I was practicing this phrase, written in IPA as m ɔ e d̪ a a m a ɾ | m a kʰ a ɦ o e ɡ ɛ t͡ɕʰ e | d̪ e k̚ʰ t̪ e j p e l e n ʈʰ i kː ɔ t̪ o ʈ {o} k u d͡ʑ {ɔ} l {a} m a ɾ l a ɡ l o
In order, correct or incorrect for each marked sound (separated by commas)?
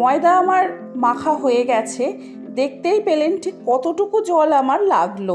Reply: incorrect, correct, correct